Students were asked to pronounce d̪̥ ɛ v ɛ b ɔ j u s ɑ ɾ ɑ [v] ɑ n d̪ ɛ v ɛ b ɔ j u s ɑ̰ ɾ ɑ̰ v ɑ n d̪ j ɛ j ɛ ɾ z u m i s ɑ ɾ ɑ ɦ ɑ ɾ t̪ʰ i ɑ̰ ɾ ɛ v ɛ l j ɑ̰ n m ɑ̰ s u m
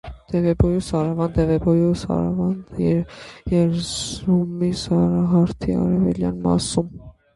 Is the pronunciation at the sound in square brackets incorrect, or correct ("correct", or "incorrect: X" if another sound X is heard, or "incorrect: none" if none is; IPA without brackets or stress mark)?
correct